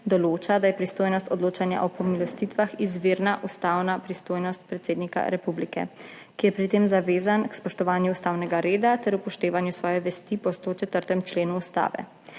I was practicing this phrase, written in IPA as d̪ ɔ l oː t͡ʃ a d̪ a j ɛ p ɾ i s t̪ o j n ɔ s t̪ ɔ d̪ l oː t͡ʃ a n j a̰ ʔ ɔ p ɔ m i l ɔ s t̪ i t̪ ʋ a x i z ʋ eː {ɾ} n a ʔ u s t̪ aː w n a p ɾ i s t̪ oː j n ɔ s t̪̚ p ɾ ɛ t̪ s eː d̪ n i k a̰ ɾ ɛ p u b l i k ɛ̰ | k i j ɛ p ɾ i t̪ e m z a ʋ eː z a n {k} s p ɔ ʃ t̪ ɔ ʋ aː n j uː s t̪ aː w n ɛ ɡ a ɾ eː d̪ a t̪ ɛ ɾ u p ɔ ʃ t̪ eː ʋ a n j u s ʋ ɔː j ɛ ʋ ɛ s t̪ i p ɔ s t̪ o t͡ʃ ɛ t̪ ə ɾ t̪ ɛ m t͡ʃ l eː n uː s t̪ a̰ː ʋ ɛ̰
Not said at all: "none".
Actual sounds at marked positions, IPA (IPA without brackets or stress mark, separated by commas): ɾ, k